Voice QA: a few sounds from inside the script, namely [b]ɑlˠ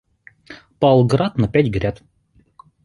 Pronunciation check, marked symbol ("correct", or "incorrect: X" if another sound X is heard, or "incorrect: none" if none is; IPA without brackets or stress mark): incorrect: p